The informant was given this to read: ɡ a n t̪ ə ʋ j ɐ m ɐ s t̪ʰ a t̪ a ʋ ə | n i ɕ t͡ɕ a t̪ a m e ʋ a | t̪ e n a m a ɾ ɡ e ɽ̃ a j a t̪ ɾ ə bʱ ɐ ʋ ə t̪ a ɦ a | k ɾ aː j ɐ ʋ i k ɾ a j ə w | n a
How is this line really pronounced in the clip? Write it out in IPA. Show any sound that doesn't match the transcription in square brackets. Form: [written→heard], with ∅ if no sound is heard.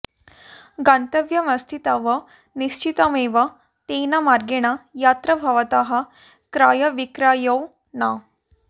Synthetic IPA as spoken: ɡ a n t̪ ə ʋ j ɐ m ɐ s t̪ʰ [a→i] t̪ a ʋ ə | n i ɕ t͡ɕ [a→i] t̪ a m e ʋ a | t̪ e n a m a ɾ ɡ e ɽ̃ a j a t̪ ɾ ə bʱ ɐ ʋ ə t̪ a ɦ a | k ɾ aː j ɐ ʋ i k ɾ a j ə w | n a

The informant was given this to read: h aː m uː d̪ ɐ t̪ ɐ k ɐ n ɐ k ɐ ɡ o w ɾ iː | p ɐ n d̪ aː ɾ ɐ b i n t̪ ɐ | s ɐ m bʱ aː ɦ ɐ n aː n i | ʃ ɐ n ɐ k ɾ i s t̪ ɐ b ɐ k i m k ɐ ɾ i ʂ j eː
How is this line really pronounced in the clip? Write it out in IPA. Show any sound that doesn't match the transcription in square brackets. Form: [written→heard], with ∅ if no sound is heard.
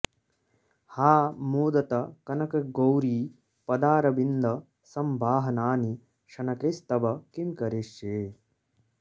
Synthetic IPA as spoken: h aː m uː d̪ ɐ t̪ ɐ k ɐ n ɐ k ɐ ɡ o w ɾ iː | p ɐ [n→∅] d̪ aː ɾ ɐ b i n [t̪→d̪] ɐ | s ɐ m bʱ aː ɦ ɐ n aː n i | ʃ ɐ n ɐ k ɾ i s t̪ ɐ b ɐ k i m k ɐ ɾ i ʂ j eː

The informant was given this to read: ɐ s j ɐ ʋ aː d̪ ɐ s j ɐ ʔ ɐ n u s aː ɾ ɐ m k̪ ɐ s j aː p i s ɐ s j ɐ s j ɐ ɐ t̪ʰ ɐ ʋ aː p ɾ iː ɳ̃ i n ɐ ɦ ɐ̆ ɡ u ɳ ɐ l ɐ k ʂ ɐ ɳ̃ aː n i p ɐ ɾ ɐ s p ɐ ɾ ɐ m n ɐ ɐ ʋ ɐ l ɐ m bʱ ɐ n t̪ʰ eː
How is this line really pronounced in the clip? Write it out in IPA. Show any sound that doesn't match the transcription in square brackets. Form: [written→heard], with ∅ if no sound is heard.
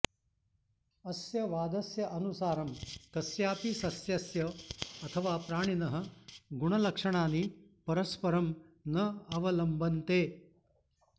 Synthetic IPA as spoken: ɐ s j ɐ ʋ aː d̪ ɐ s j ɐ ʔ ɐ n u s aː ɾ ɐ m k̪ ɐ s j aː p i s ɐ s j ɐ s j ɐ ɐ t̪ʰ ɐ ʋ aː p ɾ [iː→aː] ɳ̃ i n ɐ ɦ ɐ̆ ɡ u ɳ ɐ l ɐ k ʂ ɐ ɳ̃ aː n i p ɐ ɾ ɐ s p ɐ ɾ ɐ m n ɐ ɐ ʋ ɐ l ɐ m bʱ ɐ n [t̪ʰ→t̪] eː

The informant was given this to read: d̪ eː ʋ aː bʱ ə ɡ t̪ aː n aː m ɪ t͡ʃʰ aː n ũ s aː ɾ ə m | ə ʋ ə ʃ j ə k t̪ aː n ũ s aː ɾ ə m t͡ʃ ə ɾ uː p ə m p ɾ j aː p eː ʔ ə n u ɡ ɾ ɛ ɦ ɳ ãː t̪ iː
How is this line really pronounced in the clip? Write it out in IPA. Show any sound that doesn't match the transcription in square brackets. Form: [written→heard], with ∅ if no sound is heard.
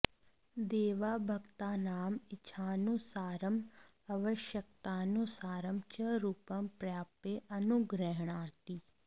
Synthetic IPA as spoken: d̪ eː ʋ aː bʱ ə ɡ t̪ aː n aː m ɪ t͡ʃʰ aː n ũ s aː ɾ ə m | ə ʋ ə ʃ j ə k t̪ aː n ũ s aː ɾ ə m t͡ʃ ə ɾ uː p ə m p ɾ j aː p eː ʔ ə n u ɡ ɾ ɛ ɦ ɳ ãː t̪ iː

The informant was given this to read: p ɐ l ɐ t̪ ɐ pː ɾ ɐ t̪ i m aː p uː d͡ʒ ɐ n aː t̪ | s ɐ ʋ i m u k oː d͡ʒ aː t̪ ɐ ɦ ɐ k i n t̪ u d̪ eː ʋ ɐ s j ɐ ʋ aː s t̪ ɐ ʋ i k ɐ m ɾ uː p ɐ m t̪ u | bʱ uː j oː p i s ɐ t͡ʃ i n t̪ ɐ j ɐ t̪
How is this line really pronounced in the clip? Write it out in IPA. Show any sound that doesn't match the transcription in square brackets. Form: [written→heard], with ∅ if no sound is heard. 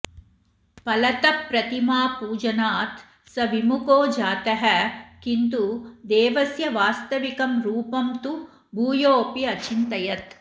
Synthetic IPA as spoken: p ɐ l ɐ t̪ ɐ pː ɾ ɐ t̪ i m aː p uː d͡ʒ ɐ n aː t̪ | s ɐ ʋ i m u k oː d͡ʒ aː t̪ ɐ ɦ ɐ k i n t̪ u d̪ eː ʋ ɐ s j ɐ ʋ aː s t̪ ɐ ʋ i k ɐ m ɾ uː p ɐ m t̪ u | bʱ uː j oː p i [s→∅] ɐ t͡ʃ i n t̪ ɐ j ɐ t̪

